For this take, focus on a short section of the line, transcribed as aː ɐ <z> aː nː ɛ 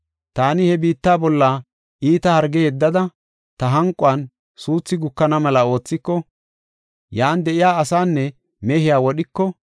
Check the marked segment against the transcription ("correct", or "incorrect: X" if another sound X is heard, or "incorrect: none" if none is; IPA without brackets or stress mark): incorrect: s